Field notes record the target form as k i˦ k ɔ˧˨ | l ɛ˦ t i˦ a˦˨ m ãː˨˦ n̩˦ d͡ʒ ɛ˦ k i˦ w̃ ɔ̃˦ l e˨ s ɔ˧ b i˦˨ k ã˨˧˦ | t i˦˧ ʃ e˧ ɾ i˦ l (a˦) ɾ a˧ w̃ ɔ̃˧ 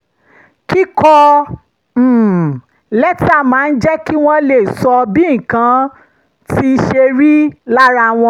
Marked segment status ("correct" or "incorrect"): correct